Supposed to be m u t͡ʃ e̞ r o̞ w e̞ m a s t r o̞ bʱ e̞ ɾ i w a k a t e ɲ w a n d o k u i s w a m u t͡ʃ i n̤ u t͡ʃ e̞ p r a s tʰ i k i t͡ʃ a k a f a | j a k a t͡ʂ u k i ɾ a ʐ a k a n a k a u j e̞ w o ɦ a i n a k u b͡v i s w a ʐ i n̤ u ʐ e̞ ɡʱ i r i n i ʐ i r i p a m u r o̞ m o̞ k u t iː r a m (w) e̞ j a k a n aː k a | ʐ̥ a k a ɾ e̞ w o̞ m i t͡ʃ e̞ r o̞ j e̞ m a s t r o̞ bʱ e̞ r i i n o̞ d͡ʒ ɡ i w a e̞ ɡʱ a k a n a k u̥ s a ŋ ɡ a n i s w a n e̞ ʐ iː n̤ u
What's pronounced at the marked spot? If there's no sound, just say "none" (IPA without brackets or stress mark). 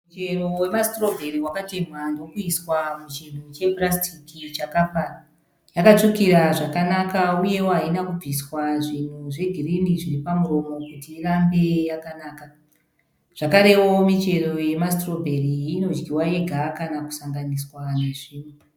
b